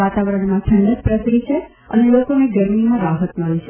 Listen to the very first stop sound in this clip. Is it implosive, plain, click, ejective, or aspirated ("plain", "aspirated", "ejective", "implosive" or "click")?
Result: plain